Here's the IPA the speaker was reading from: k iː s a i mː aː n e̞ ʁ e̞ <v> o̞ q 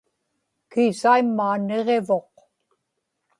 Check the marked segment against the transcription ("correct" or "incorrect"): correct